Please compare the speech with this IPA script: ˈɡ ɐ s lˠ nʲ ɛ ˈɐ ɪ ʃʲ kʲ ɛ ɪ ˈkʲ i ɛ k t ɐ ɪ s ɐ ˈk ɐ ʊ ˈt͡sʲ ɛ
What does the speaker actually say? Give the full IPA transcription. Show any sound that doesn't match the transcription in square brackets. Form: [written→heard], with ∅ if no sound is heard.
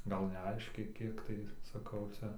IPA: ˈɡ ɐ [s→∅] lˠ nʲ ɛ ˈɐ ɪ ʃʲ kʲ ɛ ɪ ˈkʲ i ɛ k t ɐ ɪ s ɐ ˈk ɐ ʊ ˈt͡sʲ ɛ